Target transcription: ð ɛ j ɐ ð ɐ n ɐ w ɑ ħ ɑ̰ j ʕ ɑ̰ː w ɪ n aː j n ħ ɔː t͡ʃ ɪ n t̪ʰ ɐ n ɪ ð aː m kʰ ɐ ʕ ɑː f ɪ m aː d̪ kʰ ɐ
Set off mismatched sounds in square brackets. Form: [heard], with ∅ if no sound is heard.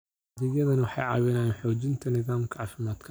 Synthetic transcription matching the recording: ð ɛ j ɐ ð ɐ n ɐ w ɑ ħ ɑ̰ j ʕ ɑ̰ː w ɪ n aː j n ħ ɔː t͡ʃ ɪ n t̪ʰ ɐ n ɪ ð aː m kʰ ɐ ʕ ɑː f ɪ m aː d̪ kʰ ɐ

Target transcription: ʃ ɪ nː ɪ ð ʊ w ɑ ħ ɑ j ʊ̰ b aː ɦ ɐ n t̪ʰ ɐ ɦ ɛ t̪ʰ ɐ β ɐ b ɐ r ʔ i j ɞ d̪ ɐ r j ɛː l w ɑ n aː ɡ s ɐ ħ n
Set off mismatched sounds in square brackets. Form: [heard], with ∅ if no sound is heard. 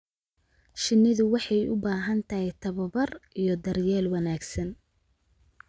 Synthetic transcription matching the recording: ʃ ɪ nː ɪ ð ʊ w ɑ ħ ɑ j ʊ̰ b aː ɦ ɐ n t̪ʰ ɐ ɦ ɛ t̪ʰ ɐ β ɐ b ɐ r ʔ i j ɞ d̪ ɐ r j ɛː l w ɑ n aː ɡ s ɐ [∅] n

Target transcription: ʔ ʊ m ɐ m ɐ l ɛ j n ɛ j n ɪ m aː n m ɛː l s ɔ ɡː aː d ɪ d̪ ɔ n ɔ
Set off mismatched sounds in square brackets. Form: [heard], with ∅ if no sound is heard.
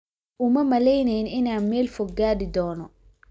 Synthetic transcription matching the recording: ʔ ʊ m ɐ m ɐ l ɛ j n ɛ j n ɪ [n] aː n m ɛː l [f] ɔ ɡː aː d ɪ d̪ [ɔː] n ɔ

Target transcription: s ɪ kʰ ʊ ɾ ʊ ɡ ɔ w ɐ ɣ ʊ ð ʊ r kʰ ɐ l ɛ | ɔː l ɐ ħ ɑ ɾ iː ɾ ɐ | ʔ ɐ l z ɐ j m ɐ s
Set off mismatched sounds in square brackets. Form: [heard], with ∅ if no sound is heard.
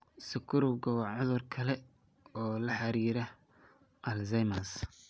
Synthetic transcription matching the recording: s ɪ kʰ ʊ ɾ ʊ ɡ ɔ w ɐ [ʕ] ʊ ð ʊ r kʰ ɐ l ɛ | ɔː l ɐ ħ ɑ ɾ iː ɾ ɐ | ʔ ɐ l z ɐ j m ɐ s

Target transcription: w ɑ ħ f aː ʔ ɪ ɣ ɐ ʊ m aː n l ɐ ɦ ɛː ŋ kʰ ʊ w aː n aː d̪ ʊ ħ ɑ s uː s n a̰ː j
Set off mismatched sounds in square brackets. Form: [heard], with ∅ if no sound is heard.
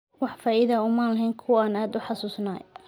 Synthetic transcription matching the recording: w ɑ ħ f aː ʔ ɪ [ð] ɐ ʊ m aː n l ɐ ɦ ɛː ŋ kʰ ʊ w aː n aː d̪ ʊ ħ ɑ s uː s n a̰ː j

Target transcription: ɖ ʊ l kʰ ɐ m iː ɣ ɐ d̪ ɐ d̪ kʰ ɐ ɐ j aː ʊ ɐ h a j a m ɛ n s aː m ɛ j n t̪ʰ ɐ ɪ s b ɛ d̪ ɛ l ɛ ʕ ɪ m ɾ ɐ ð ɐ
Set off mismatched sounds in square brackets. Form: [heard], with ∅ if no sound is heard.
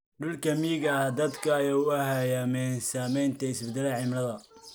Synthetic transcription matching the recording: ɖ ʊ l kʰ ɐ m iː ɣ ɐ d̪ ɐ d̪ kʰ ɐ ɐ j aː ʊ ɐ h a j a m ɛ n s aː m ɛ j n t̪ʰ ɐ ɪ s b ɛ d̪ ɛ l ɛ ʕ ɪ m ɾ ɐ ð ɐ

